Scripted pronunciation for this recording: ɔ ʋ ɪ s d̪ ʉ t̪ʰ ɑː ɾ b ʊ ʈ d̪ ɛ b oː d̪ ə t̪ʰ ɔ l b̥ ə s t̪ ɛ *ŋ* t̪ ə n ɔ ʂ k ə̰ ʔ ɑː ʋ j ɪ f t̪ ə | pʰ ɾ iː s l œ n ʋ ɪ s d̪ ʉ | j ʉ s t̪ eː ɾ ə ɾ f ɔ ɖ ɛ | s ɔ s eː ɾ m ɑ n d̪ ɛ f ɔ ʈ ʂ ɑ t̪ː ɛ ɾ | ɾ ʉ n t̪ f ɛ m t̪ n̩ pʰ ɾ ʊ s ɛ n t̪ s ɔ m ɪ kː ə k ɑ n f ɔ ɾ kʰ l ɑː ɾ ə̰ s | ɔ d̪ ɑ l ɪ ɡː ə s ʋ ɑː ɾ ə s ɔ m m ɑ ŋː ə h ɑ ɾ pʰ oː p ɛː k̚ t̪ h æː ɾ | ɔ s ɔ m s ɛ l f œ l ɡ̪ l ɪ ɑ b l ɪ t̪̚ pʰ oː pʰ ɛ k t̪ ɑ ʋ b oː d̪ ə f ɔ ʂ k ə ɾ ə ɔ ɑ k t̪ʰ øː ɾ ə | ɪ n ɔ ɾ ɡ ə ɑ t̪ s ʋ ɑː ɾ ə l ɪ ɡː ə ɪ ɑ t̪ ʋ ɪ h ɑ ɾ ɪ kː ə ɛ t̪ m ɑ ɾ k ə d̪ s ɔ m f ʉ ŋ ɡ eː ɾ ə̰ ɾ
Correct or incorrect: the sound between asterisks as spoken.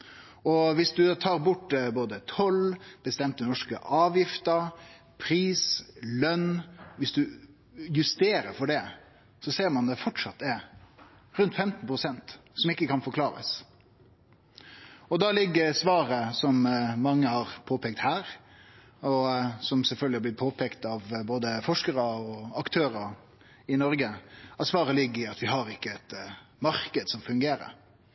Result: incorrect: m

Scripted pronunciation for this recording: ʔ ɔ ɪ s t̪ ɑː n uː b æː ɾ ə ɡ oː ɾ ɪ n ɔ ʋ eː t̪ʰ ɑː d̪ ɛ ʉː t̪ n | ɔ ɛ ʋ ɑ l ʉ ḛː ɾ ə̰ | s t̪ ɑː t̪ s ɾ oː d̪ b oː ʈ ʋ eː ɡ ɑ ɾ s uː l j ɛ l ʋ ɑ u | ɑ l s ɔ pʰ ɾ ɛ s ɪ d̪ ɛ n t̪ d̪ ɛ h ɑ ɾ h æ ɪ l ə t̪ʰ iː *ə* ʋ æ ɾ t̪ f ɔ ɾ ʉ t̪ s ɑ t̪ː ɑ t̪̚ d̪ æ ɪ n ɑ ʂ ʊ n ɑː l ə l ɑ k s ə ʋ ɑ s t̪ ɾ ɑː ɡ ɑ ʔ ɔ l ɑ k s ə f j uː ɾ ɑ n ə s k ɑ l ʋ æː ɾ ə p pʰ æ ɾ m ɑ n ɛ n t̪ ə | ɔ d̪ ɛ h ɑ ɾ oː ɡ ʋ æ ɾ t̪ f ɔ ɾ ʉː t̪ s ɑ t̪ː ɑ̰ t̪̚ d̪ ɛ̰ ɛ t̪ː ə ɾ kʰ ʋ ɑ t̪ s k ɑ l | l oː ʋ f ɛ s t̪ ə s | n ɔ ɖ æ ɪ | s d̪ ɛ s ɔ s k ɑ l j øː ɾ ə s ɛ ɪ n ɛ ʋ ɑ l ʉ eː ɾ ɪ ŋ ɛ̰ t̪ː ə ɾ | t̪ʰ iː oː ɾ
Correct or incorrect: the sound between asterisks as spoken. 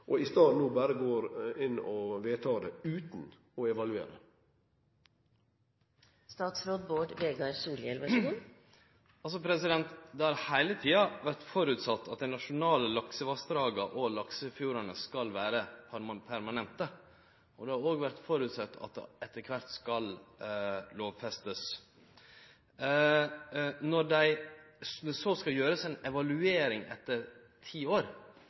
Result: incorrect: ɑ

